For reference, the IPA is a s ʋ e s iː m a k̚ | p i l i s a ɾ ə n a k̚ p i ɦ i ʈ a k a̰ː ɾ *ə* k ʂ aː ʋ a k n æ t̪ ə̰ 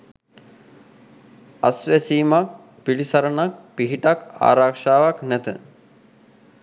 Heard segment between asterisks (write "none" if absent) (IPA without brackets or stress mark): a